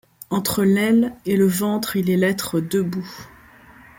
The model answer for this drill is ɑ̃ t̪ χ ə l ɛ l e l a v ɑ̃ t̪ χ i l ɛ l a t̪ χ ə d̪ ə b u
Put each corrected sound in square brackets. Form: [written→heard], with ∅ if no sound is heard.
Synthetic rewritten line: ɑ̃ t̪ χ ə l ɛ l e l [a→ə] v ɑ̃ t̪ χ i l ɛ l [a→ɛ] t̪ χ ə d̪ ə b u